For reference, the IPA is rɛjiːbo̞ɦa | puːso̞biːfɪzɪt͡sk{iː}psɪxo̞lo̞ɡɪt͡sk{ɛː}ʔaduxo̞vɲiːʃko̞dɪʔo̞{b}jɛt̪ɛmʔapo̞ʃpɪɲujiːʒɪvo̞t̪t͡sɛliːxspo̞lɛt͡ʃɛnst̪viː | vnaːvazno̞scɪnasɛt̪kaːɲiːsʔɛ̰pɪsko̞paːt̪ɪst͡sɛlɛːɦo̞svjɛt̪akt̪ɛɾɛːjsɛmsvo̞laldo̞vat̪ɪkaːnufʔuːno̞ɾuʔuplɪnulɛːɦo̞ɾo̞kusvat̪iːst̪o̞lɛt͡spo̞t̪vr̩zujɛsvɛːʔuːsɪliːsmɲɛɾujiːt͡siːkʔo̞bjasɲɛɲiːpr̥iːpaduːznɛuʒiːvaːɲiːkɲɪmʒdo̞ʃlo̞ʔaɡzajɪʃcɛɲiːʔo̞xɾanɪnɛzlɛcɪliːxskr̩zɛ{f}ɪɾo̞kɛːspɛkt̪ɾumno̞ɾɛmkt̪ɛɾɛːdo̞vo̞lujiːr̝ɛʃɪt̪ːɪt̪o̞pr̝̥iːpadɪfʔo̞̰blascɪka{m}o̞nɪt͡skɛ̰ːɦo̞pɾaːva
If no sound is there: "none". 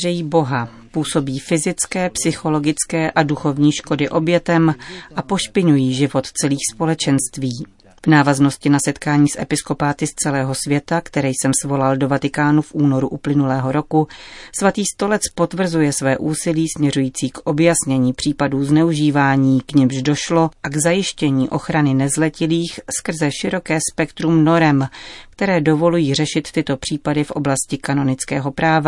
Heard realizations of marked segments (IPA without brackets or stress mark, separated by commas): ɛː, ɛː, b, ʃ, n